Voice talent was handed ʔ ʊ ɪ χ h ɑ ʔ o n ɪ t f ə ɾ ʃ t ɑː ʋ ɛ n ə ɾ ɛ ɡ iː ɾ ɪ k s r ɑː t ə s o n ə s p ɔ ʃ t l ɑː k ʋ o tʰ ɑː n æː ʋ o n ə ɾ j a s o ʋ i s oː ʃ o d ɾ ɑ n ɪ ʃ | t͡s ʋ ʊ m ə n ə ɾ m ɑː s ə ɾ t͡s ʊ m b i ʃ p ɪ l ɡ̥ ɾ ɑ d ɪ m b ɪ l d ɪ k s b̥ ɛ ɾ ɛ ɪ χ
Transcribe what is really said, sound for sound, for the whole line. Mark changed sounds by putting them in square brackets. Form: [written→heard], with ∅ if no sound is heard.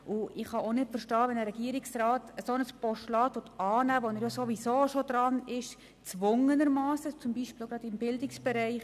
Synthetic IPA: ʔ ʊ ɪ χ h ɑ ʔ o n ɪ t f ə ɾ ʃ t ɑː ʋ ɛ n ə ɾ ɛ ɡ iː ɾ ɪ k s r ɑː t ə s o n ə s p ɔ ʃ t l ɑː [k→t] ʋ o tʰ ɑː n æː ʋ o n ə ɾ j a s o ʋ i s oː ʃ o d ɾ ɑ n ɪ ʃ | t͡s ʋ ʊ [m→ŋ] ə n ə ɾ m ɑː s ə [ɾ→∅] t͡s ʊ m b i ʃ p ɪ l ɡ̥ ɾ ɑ d ɪ m b ɪ l d ɪ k s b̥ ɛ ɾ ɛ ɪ χ